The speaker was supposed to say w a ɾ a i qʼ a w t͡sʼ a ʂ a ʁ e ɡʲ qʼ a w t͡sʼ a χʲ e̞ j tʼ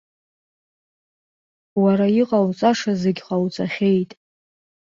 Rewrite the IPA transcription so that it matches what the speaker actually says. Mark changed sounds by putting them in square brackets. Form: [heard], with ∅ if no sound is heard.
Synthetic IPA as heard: w a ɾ a i qʼ a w t͡sʼ a ʂ a [z] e ɡʲ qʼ a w t͡sʼ a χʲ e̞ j tʼ